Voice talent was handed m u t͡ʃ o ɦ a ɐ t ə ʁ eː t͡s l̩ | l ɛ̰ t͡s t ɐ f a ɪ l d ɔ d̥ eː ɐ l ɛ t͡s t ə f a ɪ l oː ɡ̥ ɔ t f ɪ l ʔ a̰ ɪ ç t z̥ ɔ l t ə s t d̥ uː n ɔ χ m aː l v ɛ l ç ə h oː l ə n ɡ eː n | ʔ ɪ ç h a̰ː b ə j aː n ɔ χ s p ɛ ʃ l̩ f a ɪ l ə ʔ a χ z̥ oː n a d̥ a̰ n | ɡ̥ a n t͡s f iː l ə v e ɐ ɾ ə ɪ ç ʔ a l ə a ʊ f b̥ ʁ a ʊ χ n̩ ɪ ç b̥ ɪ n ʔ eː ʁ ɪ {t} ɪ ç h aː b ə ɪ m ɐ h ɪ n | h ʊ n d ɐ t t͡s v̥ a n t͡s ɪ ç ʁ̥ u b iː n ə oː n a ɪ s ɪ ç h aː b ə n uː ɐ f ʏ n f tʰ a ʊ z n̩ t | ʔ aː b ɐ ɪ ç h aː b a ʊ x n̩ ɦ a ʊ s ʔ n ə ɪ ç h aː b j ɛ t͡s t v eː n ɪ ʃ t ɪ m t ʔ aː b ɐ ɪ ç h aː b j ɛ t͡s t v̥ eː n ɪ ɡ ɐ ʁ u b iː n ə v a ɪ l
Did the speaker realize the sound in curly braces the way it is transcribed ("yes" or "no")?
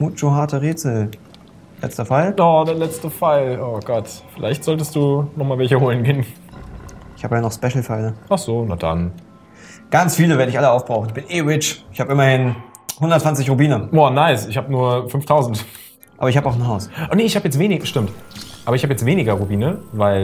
no